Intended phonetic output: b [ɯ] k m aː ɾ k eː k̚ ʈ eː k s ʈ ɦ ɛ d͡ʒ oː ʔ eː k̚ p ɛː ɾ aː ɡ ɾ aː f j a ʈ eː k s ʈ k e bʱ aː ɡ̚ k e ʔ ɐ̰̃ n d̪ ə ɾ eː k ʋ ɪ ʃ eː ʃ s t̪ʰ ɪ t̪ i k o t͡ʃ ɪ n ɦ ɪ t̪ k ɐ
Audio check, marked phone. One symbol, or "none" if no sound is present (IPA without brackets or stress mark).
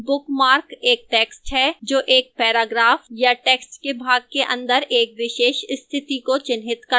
ʊ